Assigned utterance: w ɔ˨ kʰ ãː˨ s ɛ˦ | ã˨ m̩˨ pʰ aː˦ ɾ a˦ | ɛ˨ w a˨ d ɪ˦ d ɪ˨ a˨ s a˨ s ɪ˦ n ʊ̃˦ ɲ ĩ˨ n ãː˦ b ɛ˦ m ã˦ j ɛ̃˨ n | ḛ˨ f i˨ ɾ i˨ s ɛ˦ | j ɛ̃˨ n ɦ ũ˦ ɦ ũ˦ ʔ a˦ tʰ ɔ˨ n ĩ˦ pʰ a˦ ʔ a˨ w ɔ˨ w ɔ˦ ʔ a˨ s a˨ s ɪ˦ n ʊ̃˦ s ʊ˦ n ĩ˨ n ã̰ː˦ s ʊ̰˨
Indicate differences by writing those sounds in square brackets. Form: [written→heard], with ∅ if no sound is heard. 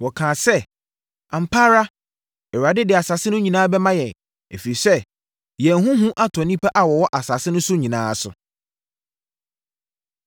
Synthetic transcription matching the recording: w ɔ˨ kʰ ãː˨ s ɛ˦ | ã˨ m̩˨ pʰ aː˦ ɾ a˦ | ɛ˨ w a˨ d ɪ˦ d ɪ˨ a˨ s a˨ s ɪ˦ n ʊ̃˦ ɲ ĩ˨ n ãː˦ b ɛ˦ m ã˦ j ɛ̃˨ n | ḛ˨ f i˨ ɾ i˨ s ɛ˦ | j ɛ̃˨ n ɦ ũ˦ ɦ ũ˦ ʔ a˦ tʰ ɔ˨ n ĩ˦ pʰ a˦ ʔ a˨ w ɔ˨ w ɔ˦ ʔ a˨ s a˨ s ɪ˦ n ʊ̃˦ s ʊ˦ [n→ɲ] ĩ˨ n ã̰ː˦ s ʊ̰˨